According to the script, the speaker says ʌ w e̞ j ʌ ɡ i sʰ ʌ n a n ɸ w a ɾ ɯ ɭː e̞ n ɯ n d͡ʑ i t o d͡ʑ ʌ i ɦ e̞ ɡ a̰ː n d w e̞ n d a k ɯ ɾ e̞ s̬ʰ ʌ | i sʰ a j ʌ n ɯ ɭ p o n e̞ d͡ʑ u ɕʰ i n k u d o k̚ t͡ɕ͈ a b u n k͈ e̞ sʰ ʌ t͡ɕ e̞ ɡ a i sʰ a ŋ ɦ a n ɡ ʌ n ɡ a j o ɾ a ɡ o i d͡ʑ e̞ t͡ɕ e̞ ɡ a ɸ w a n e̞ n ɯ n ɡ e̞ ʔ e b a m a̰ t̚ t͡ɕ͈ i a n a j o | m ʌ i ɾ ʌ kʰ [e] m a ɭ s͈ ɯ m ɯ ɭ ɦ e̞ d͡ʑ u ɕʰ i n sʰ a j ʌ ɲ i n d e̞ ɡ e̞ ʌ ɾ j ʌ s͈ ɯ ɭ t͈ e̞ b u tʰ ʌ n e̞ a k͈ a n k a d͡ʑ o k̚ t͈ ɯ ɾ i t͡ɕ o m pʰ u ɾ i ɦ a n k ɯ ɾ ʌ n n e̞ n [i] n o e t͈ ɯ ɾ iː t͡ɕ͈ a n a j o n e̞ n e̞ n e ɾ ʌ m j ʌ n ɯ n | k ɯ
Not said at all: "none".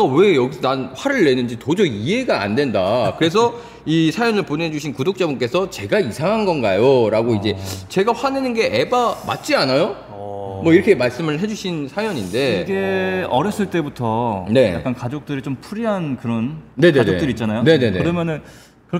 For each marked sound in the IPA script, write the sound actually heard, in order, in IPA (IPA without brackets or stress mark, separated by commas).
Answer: e, e